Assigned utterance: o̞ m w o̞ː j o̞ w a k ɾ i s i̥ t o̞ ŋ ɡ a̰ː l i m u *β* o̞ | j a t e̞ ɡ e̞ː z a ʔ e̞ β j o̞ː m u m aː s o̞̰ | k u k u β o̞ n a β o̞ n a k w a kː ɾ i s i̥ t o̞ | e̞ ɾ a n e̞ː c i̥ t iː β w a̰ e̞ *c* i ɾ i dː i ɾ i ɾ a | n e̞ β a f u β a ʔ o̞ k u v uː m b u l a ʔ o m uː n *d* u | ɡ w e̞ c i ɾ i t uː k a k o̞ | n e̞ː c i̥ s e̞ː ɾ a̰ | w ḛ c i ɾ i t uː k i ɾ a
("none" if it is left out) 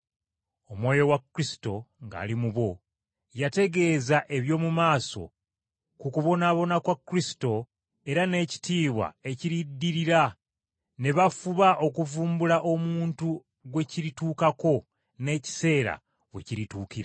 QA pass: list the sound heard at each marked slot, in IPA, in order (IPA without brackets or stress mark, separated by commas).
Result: β, c, t